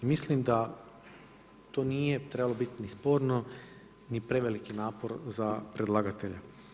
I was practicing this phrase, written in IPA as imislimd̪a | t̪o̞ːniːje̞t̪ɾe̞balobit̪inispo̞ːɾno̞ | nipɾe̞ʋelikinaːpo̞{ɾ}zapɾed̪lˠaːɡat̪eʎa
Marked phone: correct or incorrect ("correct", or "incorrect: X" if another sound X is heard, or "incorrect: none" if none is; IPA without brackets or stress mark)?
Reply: correct